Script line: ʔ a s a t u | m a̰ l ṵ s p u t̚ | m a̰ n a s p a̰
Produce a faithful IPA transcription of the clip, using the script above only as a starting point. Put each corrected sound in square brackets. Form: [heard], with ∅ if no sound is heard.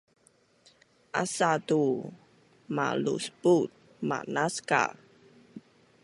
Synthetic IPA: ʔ a s a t u | m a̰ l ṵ s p u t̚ | m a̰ n a s [k] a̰